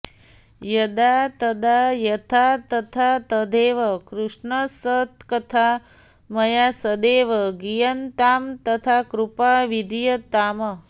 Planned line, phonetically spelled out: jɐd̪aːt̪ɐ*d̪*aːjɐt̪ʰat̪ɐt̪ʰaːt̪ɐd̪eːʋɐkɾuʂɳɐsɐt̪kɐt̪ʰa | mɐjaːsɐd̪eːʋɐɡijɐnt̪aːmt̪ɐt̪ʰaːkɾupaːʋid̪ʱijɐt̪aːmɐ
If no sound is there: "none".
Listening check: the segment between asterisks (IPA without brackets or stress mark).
d̪